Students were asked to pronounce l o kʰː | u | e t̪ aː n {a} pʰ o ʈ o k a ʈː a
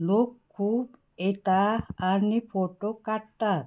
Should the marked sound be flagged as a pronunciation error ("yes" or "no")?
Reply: yes